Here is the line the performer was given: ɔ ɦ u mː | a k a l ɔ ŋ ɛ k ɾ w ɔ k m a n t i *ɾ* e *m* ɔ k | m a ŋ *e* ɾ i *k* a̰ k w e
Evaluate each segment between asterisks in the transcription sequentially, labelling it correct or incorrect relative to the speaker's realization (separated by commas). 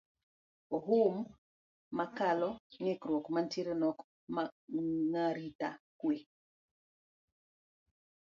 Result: correct, incorrect, incorrect, incorrect